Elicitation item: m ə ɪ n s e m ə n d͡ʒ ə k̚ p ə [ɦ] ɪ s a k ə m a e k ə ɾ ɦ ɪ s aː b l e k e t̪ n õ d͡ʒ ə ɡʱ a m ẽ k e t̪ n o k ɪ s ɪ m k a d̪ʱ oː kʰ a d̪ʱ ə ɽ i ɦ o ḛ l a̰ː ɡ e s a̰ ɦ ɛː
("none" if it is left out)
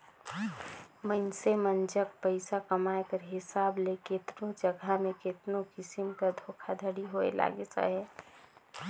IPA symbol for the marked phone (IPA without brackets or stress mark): none